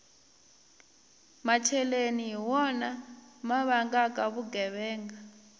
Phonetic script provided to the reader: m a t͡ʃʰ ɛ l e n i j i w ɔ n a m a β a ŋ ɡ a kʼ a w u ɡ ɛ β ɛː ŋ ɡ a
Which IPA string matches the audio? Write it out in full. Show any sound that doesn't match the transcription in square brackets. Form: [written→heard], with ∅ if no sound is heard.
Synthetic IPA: m a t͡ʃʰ ɛ l e n i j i w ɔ n a m a β a ŋ ɡ a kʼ a [w→β] u ɡ ɛ β ɛː ŋ ɡ a